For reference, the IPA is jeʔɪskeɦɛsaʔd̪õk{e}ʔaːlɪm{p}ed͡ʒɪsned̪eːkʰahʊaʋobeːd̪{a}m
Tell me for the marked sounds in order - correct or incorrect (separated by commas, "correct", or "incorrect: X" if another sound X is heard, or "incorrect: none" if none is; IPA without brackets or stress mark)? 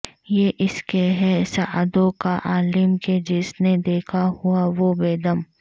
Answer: incorrect: a, incorrect: k, incorrect: ə